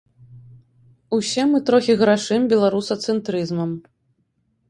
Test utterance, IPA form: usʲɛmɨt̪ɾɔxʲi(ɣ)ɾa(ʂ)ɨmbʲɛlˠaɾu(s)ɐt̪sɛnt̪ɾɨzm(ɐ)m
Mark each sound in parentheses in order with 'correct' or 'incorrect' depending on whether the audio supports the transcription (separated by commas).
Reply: correct, correct, correct, correct